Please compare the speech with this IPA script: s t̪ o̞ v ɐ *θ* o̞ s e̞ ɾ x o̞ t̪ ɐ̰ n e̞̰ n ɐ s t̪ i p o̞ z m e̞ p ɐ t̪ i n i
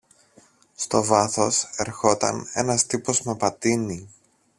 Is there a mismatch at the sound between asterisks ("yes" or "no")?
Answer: no